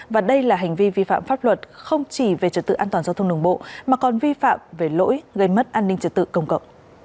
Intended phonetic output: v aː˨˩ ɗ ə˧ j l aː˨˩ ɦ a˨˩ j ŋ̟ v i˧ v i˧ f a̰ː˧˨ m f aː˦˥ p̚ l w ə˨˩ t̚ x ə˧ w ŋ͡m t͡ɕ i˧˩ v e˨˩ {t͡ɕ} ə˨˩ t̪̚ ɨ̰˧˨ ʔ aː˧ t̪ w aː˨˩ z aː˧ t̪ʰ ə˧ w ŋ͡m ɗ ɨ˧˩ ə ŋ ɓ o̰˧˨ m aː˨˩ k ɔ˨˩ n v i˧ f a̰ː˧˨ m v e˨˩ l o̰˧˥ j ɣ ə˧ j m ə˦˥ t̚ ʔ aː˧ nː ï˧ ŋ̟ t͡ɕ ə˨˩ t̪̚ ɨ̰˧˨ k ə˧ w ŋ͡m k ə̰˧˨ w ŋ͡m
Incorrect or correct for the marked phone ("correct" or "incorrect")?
correct